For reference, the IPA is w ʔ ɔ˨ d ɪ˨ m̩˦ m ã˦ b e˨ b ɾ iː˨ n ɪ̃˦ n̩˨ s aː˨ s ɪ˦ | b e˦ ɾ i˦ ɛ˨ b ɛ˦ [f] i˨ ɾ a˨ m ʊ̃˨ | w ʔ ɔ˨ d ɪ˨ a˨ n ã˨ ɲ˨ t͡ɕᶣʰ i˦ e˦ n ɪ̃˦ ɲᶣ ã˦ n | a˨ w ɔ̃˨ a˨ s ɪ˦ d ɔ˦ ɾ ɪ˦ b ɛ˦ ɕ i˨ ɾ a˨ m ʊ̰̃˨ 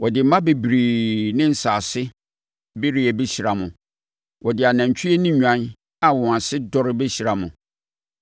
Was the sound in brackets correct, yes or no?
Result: no